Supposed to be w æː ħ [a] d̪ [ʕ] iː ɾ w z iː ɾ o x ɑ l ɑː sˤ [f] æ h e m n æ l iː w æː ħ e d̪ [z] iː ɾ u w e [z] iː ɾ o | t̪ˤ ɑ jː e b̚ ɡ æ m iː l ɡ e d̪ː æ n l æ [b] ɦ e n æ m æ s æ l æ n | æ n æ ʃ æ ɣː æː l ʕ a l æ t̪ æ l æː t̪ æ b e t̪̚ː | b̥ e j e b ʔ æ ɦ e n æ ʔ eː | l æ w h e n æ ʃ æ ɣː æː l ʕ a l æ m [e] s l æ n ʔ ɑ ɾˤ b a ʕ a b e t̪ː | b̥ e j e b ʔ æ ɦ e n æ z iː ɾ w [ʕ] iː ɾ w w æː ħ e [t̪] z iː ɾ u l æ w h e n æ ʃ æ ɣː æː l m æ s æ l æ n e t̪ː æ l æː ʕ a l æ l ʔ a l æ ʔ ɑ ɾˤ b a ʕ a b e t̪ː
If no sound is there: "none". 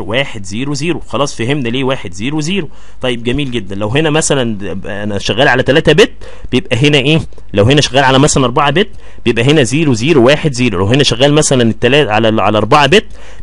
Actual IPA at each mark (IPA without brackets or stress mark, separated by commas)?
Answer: e, z, f, z, z, w, æ, z, d̪